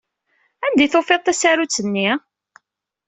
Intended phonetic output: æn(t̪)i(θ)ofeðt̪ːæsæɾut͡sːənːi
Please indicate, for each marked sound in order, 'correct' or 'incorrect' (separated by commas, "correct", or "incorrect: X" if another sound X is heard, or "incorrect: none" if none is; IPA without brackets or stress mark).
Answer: incorrect: d̪, correct